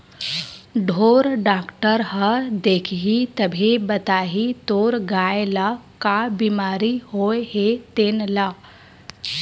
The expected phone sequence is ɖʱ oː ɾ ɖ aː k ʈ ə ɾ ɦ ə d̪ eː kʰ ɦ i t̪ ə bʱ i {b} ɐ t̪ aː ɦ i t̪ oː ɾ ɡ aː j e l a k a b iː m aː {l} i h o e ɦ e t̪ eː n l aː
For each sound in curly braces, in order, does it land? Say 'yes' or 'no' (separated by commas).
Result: yes, no